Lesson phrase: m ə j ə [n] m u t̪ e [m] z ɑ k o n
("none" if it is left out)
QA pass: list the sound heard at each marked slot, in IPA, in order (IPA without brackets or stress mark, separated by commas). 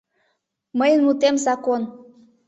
n, m